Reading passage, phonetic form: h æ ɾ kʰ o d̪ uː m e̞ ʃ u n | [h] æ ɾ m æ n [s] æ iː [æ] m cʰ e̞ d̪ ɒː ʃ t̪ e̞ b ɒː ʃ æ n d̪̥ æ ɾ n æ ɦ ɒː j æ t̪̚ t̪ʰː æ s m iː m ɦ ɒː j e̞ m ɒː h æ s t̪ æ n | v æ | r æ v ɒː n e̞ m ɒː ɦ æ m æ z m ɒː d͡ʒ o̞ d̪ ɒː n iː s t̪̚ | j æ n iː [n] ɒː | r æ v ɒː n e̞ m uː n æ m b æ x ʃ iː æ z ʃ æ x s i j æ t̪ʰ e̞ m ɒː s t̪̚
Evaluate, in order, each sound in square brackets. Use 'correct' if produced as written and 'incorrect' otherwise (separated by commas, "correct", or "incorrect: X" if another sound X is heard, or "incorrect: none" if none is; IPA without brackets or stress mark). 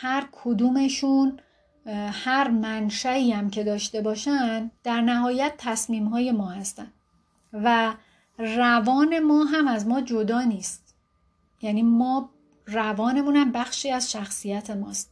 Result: correct, incorrect: ʃ, correct, incorrect: m